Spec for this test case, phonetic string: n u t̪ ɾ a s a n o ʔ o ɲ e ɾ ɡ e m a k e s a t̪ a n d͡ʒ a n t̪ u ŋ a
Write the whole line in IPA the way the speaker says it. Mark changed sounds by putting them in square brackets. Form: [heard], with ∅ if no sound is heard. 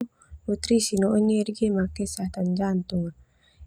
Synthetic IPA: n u t̪ ɾ [i] s [i] n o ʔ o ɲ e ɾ ɡ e m a k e s a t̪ a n d͡ʒ a n t̪ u ŋ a